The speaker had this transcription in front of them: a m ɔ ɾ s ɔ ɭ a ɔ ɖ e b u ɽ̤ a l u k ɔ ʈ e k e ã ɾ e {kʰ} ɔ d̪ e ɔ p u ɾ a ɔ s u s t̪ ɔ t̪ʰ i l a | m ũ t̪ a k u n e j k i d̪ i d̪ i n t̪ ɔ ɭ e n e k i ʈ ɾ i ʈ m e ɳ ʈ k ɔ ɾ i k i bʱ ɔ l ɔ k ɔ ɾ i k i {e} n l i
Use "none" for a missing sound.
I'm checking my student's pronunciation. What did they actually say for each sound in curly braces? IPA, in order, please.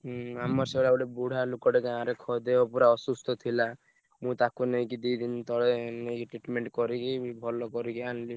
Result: kʰ, a

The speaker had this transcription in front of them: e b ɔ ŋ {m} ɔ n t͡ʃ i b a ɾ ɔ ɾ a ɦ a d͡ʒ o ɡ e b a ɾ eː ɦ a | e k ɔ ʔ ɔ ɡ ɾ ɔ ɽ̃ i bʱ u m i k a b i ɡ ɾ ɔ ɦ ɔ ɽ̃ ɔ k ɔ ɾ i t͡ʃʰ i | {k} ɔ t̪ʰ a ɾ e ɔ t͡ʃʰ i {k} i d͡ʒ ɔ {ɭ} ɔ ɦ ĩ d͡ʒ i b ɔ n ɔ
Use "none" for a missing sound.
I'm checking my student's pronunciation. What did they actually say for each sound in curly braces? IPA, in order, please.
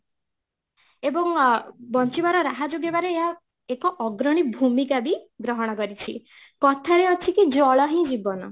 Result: b, k, k, ɭ

